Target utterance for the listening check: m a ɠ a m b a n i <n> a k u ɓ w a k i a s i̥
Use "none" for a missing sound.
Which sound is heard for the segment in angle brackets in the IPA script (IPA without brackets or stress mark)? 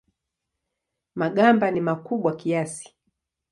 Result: m